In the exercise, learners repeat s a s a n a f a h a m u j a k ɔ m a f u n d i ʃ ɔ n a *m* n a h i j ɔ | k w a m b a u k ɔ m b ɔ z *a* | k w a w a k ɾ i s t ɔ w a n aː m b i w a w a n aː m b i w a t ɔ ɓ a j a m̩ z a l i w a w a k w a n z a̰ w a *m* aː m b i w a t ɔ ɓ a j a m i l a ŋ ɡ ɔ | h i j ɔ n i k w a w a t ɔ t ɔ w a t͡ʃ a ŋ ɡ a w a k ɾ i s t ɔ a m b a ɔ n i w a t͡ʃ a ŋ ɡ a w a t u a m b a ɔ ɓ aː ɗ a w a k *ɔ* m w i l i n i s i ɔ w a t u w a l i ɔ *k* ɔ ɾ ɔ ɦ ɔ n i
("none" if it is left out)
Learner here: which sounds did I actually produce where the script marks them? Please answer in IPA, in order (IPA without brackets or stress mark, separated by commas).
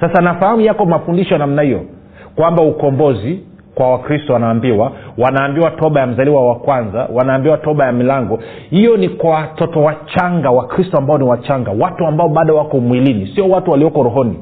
m, i, n, ɔ, k